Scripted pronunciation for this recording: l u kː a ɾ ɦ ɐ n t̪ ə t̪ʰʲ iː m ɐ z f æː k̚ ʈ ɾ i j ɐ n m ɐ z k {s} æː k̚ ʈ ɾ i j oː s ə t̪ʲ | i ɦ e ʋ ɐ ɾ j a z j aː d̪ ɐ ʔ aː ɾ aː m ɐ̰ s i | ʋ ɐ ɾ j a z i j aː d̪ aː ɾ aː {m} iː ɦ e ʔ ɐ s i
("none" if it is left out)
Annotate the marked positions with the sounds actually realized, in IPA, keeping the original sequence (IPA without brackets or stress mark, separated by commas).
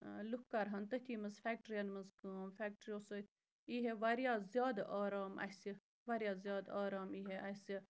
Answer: f, m